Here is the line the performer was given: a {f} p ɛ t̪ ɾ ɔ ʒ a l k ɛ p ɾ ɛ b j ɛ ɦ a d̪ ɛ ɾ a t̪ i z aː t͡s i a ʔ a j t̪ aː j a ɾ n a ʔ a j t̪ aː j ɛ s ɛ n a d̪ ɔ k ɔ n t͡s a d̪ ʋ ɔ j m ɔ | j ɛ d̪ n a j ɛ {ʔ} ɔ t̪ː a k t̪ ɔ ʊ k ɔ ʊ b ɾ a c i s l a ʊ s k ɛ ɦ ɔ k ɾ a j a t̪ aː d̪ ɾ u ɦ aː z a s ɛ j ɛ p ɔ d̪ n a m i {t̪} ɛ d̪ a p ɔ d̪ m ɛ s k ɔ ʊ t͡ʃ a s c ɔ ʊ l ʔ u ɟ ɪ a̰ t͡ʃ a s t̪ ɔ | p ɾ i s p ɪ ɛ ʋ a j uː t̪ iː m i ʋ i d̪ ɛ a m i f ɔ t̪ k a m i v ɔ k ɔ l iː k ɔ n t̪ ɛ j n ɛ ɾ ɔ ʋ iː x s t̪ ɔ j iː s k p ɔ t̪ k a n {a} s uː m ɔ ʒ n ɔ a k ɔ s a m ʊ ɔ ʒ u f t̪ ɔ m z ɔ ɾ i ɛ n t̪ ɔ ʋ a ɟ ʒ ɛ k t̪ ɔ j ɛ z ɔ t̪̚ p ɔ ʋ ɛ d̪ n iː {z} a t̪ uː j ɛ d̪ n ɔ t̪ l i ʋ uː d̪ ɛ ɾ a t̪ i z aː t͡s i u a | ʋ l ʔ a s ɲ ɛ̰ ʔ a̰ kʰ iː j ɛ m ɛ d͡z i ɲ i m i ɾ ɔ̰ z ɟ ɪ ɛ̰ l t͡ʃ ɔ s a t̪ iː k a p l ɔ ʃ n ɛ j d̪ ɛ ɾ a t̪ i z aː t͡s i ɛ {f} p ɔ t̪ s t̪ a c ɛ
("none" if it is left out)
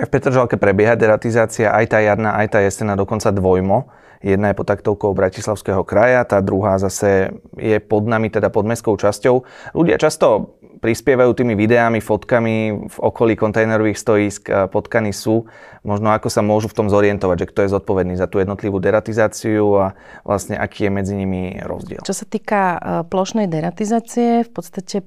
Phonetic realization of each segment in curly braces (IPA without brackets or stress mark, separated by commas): f, p, t̪, i, z, f